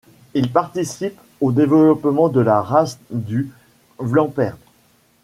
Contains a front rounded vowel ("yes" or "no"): yes